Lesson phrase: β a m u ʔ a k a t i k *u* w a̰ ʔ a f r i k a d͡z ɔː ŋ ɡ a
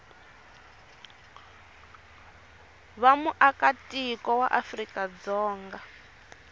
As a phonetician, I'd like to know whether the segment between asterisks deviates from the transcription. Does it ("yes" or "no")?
yes